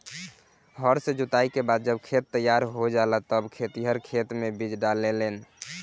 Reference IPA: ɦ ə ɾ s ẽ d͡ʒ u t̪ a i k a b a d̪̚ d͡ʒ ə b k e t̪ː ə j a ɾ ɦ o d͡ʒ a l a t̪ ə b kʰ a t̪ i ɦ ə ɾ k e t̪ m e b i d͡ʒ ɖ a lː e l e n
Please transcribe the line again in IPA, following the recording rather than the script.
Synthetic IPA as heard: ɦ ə ɾ s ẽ d͡ʒ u t̪ a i k e b a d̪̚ d͡ʒ ə b kʰ e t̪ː ə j a ɾ ɦ o d͡ʒ a l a t̪ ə b kʰ e t̪ i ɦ ə ɾ kʰ e t̪ m e b i d͡ʒ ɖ a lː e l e n